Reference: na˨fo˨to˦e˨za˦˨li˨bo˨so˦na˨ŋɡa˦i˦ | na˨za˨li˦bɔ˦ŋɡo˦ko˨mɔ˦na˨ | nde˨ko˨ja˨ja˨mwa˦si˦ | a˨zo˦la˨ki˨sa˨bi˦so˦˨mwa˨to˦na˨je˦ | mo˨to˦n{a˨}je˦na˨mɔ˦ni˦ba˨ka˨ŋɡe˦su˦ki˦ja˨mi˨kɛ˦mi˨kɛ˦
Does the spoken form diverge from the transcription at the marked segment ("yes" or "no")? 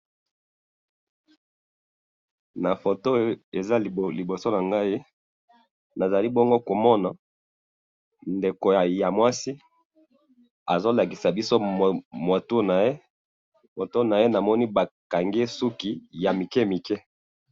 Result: no